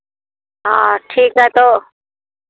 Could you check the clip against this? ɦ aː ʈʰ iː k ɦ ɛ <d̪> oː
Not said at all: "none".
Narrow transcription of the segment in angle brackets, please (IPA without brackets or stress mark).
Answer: t̪